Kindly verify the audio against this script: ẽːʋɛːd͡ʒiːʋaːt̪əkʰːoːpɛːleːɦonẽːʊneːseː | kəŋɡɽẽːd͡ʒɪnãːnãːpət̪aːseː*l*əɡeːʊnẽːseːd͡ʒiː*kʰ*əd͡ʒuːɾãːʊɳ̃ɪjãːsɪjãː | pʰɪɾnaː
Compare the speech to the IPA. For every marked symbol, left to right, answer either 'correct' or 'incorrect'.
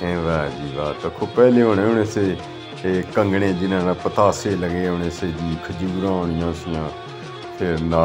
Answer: correct, correct

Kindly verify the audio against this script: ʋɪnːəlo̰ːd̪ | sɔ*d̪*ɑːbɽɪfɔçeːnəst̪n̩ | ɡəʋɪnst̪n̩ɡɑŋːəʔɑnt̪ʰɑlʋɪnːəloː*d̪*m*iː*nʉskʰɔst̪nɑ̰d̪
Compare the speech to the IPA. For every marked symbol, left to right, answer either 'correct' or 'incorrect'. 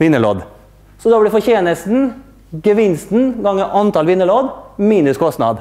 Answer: correct, correct, correct

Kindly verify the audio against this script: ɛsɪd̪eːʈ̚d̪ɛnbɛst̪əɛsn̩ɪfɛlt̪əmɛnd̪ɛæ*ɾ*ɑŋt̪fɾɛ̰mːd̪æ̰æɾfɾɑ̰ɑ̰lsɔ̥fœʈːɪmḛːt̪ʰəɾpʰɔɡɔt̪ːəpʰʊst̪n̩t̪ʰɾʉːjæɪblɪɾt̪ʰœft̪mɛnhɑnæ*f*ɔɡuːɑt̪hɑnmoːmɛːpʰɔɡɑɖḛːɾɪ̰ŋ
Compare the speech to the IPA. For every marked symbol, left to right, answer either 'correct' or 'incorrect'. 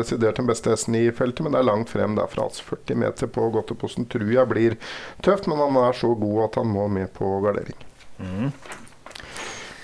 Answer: incorrect: ɭ, incorrect: ʂ

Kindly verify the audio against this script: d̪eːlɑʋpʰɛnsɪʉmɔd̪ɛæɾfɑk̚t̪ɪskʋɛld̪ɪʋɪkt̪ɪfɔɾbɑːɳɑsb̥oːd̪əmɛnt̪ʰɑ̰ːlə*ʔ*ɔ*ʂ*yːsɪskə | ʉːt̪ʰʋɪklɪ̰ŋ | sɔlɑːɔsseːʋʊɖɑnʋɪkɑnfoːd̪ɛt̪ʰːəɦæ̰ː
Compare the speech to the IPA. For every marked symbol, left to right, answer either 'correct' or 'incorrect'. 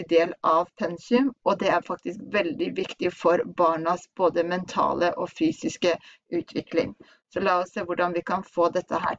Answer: correct, incorrect: f

